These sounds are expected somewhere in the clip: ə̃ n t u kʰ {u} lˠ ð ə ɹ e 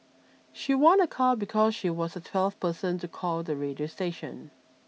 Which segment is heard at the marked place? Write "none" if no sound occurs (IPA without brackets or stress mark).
ɔ